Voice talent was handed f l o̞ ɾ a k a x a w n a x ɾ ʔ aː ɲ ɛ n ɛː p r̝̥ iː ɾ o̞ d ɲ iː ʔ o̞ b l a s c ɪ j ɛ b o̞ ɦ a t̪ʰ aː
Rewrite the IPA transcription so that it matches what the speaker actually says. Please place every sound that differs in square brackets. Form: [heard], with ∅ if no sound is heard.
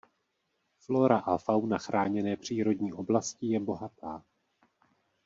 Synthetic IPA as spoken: f l o̞ ɾ a [ʔ] a [f] a w n a x ɾ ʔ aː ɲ ɛ n ɛː p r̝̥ iː ɾ o̞ d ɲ iː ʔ o̞ b l a s c ɪ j ɛ b o̞ ɦ a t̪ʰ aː